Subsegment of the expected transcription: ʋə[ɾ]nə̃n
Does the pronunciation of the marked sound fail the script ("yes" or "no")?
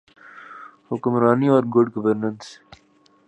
no